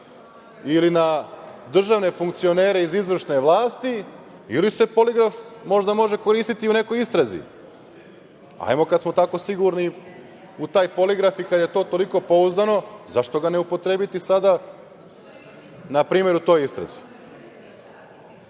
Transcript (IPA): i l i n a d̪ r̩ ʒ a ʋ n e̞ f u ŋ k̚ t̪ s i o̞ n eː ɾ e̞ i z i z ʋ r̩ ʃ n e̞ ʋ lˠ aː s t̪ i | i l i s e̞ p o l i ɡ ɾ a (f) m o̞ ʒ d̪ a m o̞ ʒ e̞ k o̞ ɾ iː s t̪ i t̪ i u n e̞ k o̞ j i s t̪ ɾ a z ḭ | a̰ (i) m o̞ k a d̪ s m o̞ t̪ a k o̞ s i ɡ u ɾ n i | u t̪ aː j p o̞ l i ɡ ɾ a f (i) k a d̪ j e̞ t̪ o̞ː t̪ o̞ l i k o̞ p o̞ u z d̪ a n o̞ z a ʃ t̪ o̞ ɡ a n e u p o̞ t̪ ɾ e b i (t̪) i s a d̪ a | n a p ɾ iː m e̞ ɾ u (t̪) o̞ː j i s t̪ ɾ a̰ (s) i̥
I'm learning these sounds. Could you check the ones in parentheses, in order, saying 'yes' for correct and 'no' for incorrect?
yes, no, yes, yes, yes, no

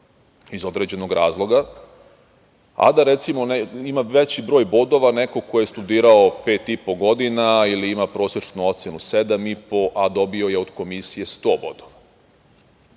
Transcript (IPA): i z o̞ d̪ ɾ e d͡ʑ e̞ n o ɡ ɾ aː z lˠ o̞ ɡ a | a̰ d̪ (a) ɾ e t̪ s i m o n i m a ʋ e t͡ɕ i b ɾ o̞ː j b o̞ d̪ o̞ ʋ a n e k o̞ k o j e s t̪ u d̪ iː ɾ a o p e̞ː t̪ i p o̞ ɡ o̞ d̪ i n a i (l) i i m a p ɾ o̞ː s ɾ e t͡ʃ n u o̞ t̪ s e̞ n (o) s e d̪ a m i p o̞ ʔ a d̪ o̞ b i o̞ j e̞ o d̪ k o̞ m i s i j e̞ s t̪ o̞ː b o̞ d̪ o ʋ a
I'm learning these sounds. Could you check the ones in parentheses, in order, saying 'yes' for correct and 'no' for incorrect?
yes, yes, no

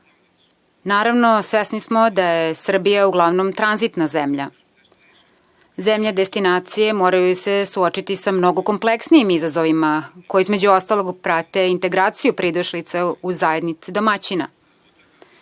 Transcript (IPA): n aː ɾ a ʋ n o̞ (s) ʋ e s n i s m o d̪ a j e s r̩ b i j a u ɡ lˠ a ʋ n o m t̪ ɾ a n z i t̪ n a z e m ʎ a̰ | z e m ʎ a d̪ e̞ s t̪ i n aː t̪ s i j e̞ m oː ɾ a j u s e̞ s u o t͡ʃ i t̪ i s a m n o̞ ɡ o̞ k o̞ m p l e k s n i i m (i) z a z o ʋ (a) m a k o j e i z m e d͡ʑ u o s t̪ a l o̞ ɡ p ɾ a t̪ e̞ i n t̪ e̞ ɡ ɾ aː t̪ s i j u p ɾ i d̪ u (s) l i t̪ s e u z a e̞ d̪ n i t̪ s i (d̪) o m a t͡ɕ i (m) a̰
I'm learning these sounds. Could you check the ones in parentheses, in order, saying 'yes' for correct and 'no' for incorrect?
yes, yes, no, no, yes, no

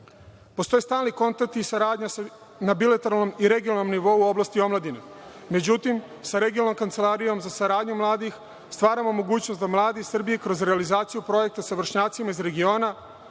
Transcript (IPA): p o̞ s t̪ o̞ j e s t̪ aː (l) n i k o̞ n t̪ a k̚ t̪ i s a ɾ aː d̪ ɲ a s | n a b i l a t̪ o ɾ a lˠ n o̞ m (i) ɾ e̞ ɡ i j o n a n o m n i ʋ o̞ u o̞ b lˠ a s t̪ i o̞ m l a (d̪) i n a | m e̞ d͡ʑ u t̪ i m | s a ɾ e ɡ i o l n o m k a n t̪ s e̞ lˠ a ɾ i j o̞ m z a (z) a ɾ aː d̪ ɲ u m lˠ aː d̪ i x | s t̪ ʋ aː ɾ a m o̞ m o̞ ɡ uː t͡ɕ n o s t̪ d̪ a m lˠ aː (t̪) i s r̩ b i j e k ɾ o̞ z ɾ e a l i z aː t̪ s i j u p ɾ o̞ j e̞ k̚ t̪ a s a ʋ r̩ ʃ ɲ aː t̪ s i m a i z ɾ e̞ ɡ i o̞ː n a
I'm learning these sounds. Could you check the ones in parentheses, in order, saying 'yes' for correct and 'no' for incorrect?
yes, yes, yes, no, no

